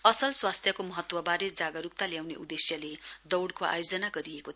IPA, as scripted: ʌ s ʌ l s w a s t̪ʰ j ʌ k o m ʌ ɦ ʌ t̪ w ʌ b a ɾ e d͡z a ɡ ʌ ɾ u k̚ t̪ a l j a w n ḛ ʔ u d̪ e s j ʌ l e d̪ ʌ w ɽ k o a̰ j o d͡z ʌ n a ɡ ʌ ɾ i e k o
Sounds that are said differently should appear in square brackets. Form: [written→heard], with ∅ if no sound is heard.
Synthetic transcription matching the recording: ʌ s ʌ l s w a s t̪ʰ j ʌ k o m ʌ ɦ ʌ t̪ w ʌ b a ɾ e d͡z a ɡ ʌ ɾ u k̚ t̪ a l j a w n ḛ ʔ u d̪ e s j ʌ l e d̪ ʌ w ɽ k o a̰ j o d͡z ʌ n a ɡ ʌ ɾ i e k o